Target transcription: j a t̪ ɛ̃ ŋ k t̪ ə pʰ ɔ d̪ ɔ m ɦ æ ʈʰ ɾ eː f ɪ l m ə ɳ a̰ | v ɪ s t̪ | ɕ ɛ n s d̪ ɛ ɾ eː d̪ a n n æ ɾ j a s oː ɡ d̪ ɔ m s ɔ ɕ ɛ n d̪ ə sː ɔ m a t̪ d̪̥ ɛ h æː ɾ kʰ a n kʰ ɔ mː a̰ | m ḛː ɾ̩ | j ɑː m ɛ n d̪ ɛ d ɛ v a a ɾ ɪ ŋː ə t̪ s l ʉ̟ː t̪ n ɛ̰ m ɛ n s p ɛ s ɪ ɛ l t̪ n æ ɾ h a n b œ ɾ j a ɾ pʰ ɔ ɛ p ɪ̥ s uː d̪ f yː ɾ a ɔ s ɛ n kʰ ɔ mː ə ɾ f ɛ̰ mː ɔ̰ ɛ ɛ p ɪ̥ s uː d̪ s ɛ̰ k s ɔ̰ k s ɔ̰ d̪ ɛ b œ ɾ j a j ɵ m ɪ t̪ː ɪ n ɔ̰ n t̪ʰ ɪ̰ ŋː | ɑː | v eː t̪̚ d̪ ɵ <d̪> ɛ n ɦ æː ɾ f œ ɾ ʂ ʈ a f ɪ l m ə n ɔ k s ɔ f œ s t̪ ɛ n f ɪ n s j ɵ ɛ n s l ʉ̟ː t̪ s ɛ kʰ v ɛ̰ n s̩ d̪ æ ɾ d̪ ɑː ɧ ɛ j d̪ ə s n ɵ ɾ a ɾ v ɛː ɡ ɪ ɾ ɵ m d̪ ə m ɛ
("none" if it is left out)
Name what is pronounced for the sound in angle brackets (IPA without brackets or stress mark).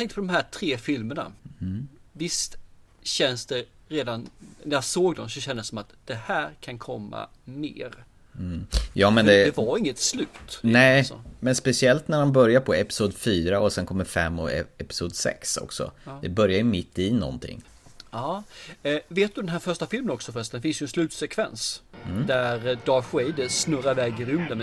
d̪